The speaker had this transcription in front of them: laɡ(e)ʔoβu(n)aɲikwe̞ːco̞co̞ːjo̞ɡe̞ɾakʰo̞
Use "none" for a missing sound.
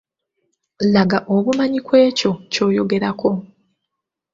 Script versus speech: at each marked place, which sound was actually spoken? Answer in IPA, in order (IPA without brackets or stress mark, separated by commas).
a, m